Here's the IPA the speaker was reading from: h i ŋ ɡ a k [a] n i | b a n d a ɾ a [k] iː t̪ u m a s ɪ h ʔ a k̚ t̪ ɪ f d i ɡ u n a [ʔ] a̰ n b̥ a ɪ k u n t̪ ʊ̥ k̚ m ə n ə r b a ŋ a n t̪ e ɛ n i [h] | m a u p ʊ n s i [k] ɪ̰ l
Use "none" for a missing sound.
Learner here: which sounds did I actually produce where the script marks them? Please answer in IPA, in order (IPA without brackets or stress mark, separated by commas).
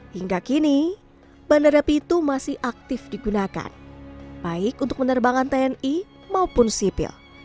i, p, k, none, p